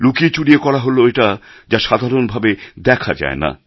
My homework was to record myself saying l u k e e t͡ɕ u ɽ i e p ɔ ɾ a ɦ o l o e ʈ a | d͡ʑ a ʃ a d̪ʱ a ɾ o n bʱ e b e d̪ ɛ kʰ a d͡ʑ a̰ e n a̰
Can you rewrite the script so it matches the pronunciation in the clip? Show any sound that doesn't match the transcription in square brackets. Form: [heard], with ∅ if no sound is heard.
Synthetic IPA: l u k [i] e t͡ɕ u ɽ i e [k] ɔ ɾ a ɦ o l o e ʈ a | d͡ʑ a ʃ a d̪ʱ a ɾ o n bʱ [a] b e d̪ ɛ kʰ a d͡ʑ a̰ e n a̰